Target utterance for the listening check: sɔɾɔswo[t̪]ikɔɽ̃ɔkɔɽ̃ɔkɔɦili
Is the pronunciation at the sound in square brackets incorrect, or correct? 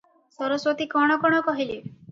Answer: correct